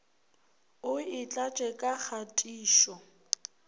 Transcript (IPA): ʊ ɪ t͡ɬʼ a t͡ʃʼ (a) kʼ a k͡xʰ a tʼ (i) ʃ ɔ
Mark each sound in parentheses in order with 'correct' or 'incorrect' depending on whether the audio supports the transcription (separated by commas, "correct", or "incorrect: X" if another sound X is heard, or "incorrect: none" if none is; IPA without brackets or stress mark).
incorrect: ɛ, incorrect: iː